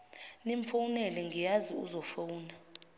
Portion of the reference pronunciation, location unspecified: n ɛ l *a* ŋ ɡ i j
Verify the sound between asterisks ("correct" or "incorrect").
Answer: incorrect